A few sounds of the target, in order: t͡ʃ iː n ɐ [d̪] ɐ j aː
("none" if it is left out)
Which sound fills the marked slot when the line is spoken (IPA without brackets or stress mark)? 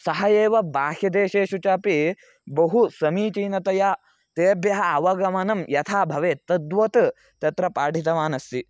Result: t̪